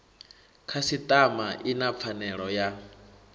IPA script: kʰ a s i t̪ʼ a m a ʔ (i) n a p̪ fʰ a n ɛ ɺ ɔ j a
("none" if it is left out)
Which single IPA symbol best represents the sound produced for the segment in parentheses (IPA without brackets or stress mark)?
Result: i